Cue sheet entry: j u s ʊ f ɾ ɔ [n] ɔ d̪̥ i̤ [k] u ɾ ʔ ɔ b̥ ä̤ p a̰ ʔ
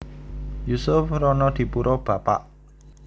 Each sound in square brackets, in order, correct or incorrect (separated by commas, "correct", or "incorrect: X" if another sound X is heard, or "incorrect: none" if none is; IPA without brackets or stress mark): correct, incorrect: p